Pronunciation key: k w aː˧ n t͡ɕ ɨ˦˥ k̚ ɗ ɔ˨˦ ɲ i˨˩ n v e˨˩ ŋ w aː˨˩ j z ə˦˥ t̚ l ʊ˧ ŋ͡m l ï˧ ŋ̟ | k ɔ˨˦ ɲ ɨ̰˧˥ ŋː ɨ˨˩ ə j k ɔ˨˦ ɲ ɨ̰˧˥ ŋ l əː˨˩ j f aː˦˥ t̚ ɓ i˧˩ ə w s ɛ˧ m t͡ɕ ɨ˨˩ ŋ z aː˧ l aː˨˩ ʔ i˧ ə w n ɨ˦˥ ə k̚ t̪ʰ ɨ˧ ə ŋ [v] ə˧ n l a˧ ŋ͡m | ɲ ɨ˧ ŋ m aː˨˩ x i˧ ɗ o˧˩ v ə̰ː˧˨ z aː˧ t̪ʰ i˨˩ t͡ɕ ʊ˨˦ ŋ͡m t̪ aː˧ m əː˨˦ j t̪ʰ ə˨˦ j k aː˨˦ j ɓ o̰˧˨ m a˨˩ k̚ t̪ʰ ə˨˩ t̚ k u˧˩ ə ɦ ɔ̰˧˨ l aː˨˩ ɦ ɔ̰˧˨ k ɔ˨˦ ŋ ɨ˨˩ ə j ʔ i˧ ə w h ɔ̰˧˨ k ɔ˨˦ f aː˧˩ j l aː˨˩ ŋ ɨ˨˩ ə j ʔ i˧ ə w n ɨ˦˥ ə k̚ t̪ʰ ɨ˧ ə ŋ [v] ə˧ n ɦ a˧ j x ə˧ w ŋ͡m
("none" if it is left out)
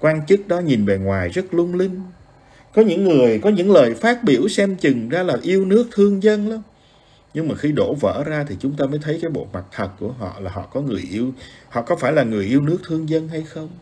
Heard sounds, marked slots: z, z

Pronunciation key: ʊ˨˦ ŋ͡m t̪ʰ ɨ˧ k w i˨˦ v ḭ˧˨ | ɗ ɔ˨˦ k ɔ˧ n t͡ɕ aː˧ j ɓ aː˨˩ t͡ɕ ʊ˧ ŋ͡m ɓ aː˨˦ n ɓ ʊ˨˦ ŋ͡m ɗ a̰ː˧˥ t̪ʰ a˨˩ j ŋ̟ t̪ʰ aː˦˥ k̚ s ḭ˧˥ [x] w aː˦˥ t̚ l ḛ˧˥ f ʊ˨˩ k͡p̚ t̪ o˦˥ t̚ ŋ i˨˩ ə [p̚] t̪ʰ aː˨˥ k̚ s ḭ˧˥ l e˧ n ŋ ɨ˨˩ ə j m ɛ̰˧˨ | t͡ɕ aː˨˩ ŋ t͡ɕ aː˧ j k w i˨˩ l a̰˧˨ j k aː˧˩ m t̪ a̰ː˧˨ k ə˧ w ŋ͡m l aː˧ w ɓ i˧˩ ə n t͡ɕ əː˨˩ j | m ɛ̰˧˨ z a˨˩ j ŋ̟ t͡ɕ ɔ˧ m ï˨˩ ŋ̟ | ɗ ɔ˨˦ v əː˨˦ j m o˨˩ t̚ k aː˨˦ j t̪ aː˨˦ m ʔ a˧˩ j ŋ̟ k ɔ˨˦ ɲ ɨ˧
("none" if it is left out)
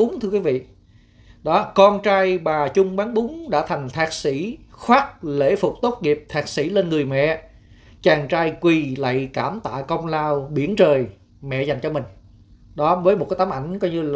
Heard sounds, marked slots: x, p̚

